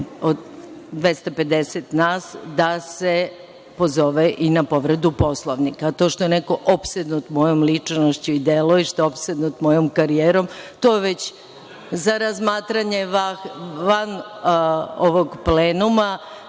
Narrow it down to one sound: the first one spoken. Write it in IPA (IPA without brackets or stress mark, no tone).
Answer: o